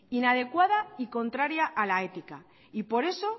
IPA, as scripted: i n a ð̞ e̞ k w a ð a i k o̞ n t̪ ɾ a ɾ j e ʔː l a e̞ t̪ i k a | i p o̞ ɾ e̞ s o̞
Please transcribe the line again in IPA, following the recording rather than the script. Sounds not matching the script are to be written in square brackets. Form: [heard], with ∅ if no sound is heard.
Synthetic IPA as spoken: i n a ð̞ e̞ k w a ð a i k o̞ n t̪ ɾ a ɾ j [a] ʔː l a e̞ t̪ i k a | i p o̞ ɾ e̞ s o̞